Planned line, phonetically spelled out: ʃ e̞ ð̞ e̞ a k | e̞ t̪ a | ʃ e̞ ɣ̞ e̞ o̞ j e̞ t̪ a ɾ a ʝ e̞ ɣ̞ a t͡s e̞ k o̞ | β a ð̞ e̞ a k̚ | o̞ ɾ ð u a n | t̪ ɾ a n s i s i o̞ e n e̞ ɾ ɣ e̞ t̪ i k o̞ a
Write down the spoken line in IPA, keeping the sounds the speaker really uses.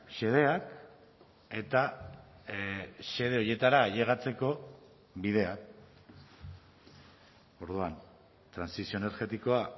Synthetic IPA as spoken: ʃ e̞ ð̞ e̞ a k | e̞ t̪ a | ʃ e̞ ð̞ e̞ o̞ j e̞ t̪ a ɾ a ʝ e̞ ɣ̞ a t͡s e̞ k o̞ | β i ð̞ e̞ a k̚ | o̞ ɾ ð u a n | t̪ ɾ a n s i s i o̞ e n e̞ ɾ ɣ e̞ t̪ i k o̞ a